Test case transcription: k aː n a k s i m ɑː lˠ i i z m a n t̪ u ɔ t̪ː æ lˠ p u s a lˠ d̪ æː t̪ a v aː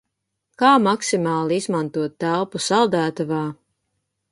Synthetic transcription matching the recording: k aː m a k s i m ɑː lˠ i i z m a n t̪ u ɔ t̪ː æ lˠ p u s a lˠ d̪ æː t̪ a v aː